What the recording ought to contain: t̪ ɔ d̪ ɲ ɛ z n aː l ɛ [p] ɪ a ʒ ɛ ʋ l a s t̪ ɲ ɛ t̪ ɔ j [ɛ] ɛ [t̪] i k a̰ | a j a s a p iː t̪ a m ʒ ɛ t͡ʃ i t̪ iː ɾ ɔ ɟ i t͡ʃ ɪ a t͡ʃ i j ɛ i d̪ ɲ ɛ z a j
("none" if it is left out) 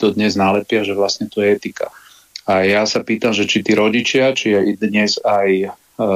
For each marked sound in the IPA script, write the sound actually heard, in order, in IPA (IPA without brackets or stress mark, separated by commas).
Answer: p, ɛ, t̪